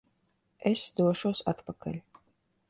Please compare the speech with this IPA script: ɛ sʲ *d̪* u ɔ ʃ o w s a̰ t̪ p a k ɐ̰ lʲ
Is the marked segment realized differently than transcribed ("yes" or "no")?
no